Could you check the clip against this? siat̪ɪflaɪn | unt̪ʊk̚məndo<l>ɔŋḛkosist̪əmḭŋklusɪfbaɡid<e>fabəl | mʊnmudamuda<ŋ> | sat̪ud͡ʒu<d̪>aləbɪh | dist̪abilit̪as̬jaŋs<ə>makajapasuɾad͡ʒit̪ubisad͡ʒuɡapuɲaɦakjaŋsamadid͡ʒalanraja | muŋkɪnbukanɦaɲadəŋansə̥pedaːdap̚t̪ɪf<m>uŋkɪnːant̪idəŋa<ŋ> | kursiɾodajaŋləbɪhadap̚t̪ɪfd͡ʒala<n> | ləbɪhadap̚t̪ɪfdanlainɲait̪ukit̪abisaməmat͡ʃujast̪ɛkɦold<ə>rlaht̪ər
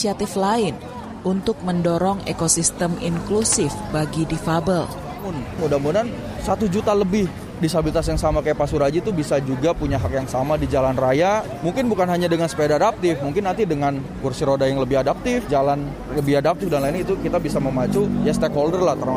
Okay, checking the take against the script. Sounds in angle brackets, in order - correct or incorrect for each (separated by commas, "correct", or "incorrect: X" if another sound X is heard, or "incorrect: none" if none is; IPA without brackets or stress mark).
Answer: incorrect: ɾ, incorrect: i, incorrect: n, incorrect: t̪, incorrect: a, correct, incorrect: n, correct, correct